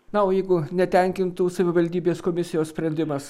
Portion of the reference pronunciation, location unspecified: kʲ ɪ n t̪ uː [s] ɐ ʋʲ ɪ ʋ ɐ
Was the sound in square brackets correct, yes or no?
yes